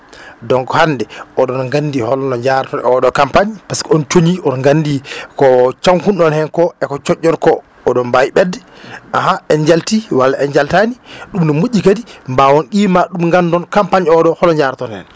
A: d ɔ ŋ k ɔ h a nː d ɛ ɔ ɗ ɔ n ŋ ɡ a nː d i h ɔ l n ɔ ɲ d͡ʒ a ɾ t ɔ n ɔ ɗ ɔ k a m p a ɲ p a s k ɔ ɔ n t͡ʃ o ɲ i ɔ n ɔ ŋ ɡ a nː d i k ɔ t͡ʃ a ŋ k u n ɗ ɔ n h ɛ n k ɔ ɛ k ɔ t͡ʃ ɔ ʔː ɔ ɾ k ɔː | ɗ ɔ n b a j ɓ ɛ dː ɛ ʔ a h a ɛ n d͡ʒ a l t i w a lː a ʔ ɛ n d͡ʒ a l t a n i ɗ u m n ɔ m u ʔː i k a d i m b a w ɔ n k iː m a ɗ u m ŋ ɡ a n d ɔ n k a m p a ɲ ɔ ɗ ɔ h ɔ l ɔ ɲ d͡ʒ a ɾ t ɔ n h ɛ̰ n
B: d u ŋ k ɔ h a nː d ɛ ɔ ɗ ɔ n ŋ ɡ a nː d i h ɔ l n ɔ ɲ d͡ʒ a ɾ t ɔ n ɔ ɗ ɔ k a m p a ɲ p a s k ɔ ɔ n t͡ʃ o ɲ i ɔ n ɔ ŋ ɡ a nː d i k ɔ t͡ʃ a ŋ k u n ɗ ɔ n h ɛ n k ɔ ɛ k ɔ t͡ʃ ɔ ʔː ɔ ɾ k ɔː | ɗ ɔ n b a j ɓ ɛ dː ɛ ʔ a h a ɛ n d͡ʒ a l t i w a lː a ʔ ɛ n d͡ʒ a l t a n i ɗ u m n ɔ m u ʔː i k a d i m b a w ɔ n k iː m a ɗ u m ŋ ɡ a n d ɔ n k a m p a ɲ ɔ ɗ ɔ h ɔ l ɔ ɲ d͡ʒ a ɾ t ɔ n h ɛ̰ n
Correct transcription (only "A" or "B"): A